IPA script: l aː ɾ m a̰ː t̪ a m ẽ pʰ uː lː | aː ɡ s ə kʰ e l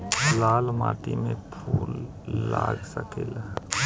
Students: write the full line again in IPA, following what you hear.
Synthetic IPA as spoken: l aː l m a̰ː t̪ i m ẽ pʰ uː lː | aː ɡ s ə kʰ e l